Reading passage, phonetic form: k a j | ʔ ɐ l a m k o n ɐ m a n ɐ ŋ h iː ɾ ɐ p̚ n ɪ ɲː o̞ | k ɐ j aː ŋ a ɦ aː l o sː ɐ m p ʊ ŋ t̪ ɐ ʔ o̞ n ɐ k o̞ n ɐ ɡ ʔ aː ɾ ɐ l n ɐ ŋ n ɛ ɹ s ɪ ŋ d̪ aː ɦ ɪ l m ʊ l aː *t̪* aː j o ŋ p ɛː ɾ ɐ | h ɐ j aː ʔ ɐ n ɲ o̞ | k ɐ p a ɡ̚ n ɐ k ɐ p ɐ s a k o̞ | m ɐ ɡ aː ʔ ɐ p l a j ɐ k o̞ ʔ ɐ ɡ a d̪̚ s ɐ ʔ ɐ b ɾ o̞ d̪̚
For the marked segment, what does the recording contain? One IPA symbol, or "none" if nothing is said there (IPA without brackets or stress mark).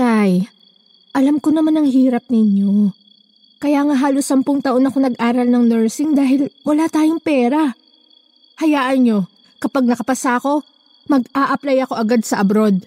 t̪